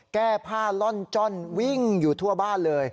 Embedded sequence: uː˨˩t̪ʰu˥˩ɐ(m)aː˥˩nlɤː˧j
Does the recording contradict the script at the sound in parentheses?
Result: yes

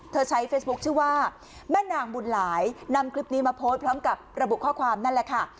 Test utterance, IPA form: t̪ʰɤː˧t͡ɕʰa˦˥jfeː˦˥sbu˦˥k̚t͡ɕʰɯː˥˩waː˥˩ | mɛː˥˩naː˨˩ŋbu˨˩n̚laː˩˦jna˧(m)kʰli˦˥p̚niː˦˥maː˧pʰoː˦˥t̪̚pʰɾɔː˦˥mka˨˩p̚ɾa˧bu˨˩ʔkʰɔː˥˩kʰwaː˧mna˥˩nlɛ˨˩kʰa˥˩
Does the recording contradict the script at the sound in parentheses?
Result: no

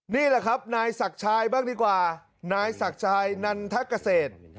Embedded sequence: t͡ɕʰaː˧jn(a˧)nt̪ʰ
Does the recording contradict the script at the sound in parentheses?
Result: no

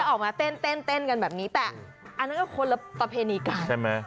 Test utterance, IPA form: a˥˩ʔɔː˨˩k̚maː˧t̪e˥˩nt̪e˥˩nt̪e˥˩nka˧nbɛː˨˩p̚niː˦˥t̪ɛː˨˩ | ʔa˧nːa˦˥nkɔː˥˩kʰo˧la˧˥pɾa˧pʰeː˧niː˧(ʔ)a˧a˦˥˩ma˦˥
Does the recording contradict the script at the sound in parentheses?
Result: yes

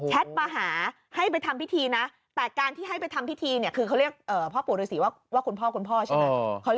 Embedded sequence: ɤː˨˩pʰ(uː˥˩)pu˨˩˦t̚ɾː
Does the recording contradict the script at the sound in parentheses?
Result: yes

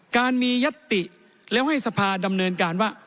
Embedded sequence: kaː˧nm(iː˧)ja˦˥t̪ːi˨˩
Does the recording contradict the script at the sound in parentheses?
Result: no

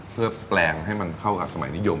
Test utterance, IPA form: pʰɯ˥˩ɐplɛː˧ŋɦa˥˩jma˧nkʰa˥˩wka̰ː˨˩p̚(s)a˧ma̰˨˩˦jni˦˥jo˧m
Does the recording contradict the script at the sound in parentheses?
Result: no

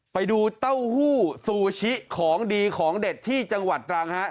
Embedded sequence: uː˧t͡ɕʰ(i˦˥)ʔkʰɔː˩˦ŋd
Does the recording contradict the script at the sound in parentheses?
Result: no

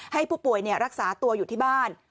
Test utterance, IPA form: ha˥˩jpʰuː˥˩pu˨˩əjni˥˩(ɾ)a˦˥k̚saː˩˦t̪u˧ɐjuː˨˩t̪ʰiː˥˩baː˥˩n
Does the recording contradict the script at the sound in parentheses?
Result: no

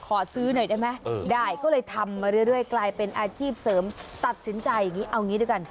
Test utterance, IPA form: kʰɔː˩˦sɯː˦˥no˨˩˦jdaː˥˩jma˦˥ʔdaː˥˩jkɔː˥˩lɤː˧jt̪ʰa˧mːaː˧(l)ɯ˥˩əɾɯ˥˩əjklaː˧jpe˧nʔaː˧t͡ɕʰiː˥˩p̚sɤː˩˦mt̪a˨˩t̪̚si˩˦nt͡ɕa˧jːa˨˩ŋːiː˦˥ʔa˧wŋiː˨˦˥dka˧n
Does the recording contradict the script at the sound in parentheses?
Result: yes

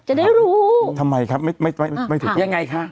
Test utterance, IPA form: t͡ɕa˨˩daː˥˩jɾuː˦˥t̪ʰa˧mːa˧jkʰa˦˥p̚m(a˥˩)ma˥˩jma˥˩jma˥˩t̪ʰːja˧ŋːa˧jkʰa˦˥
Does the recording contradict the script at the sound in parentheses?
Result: no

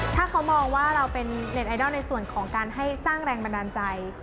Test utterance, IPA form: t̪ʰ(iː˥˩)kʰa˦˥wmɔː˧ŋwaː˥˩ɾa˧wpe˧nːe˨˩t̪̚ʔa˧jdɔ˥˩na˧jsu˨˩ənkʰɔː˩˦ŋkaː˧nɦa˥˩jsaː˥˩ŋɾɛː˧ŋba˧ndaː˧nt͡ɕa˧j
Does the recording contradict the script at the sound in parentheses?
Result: yes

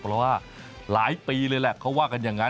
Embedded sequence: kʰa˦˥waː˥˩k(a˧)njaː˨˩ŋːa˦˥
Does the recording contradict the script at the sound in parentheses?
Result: no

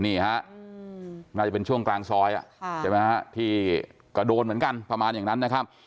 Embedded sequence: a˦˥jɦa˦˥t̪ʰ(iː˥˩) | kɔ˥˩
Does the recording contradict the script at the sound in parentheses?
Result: no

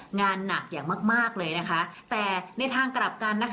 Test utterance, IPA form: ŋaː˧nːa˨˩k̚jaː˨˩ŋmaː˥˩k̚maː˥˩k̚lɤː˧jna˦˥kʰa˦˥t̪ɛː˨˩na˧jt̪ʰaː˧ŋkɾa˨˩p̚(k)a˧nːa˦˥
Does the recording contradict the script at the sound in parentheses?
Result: no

